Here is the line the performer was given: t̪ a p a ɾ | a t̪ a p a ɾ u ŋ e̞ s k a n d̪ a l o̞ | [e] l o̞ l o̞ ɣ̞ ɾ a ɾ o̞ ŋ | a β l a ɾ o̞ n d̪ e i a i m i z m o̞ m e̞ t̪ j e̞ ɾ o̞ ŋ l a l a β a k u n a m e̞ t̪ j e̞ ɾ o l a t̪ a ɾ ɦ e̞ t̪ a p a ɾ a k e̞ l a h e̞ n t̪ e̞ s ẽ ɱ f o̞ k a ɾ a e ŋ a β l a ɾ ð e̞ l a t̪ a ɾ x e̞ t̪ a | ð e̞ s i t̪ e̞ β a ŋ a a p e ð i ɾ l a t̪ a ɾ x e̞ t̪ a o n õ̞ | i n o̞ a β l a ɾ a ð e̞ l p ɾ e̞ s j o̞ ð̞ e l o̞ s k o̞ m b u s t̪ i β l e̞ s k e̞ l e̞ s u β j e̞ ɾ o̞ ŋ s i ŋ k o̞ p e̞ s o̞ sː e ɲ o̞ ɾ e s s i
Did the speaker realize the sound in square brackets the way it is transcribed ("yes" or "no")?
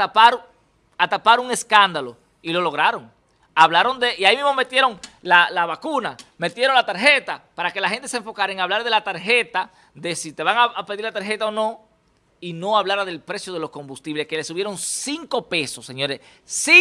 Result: no